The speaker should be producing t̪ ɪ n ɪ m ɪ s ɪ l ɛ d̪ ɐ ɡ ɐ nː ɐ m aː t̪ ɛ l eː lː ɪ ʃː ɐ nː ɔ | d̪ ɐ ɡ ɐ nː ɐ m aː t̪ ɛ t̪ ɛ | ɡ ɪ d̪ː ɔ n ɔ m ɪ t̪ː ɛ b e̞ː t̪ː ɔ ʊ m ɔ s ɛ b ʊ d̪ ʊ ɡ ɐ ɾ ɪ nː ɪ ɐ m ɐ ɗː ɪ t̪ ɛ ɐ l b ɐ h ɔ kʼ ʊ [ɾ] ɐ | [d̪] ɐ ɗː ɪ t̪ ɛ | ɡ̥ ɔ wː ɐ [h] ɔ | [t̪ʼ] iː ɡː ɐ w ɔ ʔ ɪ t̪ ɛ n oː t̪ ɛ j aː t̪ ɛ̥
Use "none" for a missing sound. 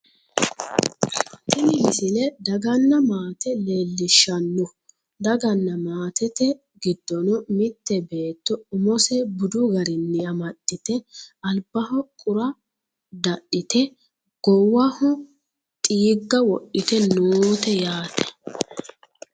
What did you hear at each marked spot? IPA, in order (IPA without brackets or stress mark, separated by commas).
ɾ, d̪, h, t̪ʼ